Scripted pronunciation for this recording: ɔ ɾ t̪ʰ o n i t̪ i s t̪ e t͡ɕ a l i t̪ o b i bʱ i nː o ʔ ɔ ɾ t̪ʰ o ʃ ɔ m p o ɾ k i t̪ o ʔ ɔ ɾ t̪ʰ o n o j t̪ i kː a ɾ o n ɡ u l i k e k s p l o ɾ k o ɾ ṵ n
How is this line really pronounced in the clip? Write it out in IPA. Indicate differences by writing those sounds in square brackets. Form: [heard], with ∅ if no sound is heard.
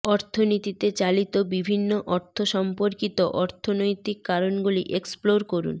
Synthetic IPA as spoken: ɔ ɾ t̪ʰ o n i t̪ i [∅] t̪ e t͡ɕ a l i t̪ o b i bʱ i nː o ʔ ɔ ɾ t̪ʰ o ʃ ɔ m p o ɾ k i t̪ o ʔ ɔ ɾ t̪ʰ o n o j t̪ i kː a ɾ o n ɡ u l i [ʔ] e k s p l o ɾ k o ɾ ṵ n